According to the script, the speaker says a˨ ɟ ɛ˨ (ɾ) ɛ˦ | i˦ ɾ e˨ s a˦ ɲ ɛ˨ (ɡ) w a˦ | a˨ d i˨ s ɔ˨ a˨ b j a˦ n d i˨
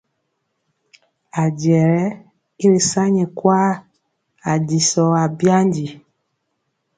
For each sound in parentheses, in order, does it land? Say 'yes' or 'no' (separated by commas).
yes, no